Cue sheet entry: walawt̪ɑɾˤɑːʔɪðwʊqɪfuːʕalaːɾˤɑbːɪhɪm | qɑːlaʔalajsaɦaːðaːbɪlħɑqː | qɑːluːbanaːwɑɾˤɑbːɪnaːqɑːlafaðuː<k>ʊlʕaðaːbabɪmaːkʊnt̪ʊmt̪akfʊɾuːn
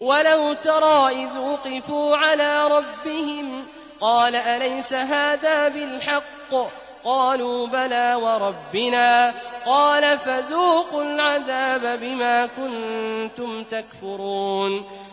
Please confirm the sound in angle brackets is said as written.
no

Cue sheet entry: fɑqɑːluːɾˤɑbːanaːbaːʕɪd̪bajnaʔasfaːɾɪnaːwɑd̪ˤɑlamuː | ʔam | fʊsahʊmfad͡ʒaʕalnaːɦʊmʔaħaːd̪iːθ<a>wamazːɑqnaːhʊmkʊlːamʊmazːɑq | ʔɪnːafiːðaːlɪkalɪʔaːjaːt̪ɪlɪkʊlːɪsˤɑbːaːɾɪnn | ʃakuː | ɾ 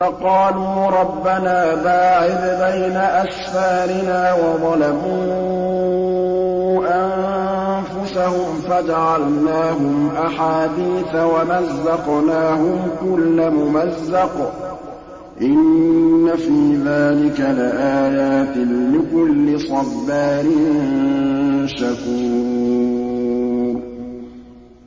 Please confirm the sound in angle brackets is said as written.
yes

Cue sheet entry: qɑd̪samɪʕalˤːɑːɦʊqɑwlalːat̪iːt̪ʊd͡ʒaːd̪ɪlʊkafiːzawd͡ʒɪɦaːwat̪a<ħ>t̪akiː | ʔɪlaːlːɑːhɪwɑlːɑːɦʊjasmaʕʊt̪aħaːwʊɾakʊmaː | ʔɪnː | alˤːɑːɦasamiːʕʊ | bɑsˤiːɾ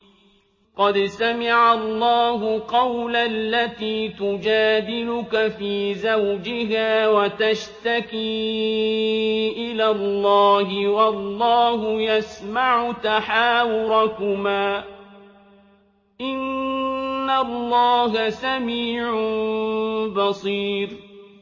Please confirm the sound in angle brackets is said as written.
no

